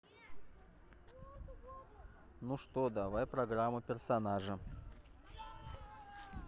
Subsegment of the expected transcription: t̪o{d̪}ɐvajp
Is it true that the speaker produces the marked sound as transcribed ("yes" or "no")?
yes